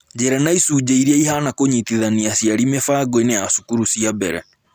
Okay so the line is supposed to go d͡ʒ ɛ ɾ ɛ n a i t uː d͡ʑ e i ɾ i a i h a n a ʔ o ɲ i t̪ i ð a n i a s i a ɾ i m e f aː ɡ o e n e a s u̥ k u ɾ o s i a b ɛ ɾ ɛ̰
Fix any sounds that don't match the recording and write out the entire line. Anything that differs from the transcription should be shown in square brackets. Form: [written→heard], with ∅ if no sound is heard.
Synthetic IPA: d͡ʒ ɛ ɾ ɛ n a i [t→s] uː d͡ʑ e i ɾ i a i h a n a [ʔ→k] o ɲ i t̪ i ð a n i a s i a ɾ i m e f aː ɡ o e n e a s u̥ k u ɾ [o→u] s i a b ɛ ɾ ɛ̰